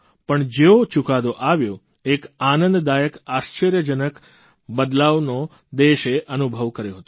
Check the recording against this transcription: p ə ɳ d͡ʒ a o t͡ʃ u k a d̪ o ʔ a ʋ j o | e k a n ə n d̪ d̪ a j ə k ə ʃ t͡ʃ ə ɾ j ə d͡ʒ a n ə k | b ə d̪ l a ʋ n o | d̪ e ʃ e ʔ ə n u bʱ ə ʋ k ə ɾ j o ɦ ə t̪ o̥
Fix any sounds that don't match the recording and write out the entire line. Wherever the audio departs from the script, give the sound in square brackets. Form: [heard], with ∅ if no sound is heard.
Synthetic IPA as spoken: p ə ɳ d͡ʒ [e] o t͡ʃ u k a d̪ o ʔ a ʋ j o | e k a n ə n d̪ d̪ a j ə k [a] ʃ t͡ʃ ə ɾ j ə d͡ʒ [ə] n ə k | b ə d̪ l a ʋ n o | d̪ e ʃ e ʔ ə n u bʱ ə ʋ k ə ɾ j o ɦ ə t̪ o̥